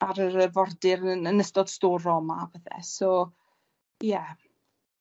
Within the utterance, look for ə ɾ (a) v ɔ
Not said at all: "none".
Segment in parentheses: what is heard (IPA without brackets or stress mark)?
ə